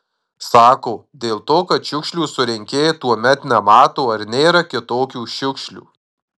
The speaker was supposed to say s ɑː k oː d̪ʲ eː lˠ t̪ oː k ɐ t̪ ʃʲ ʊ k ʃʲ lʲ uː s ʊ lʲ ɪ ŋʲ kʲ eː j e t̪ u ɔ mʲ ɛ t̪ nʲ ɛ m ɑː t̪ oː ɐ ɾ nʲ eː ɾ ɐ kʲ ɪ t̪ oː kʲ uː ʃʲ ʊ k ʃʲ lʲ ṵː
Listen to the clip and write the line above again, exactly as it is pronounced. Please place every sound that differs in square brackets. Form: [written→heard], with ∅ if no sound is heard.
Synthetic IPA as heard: s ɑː k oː d̪ʲ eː lˠ t̪ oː k ɐ t̪ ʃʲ ʊ k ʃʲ lʲ uː s ʊ [lʲ→ɾʲ] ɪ ŋʲ kʲ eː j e t̪ u ɔ mʲ ɛ t̪ nʲ ɛ m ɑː t̪ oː ɐ ɾ nʲ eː ɾ ɐ kʲ ɪ t̪ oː kʲ uː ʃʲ ʊ k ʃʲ lʲ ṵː